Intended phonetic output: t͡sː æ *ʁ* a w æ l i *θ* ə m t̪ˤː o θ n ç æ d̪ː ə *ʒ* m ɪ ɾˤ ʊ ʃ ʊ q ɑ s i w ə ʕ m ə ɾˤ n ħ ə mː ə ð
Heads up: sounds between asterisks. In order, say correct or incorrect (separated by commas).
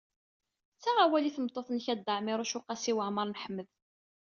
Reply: correct, correct, incorrect